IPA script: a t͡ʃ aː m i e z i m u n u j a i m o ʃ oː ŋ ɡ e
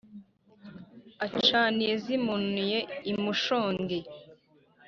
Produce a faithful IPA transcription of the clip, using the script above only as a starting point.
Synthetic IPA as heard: a t͡ʃ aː n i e z i m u n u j e i m u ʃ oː ŋ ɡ e